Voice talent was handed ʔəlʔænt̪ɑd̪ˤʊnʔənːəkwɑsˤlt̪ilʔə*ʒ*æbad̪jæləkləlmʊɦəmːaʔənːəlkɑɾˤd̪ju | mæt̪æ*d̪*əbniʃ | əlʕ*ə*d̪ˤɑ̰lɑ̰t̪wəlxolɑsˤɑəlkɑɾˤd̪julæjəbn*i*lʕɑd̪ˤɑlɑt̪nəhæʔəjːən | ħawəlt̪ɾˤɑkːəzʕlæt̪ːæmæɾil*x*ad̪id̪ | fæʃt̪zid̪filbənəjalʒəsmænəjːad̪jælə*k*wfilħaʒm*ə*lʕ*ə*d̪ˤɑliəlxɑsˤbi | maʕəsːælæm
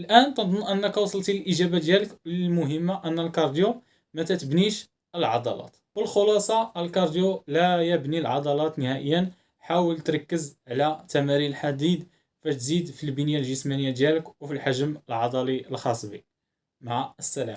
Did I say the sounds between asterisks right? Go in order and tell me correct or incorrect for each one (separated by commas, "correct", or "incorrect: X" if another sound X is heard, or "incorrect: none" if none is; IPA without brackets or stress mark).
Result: correct, incorrect: t̪, incorrect: ɑ, correct, incorrect: ħ, correct, correct, incorrect: ɑ